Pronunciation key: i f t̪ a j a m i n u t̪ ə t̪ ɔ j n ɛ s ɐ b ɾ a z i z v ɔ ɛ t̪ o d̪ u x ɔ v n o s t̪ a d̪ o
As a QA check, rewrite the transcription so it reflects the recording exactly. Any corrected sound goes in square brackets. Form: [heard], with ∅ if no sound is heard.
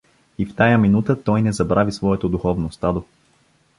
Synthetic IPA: i f t̪ a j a m i n u t̪ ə t̪ ɔ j n ɛ [z] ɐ b ɾ a [v] i [s] v ɔ ɛ t̪ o d̪ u x ɔ v n o s t̪ a d̪ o